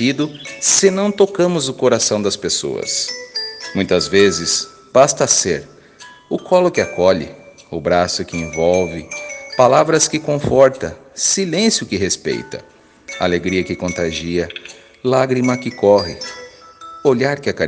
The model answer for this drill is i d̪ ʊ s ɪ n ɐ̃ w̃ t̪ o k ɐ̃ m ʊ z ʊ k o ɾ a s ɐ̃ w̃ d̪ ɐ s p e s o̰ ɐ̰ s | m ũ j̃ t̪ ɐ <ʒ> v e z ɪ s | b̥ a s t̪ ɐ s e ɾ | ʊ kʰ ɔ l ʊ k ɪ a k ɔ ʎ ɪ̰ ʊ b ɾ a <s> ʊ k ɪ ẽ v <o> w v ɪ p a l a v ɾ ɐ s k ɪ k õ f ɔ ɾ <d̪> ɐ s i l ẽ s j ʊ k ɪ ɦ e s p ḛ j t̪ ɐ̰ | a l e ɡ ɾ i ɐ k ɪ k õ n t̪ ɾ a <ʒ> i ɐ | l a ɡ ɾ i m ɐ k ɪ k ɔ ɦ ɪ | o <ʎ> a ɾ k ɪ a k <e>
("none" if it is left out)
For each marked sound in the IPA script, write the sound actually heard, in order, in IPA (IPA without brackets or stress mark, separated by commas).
z, s, ɔ, t̪, ʒ, ʎ, a